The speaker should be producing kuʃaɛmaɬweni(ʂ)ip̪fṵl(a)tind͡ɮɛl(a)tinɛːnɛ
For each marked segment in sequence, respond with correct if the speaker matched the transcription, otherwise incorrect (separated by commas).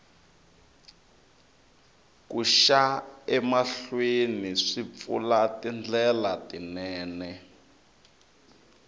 correct, correct, correct